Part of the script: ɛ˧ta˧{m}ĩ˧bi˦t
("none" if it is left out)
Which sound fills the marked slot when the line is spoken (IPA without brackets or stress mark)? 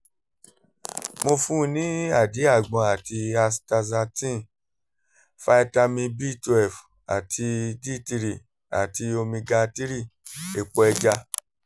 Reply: m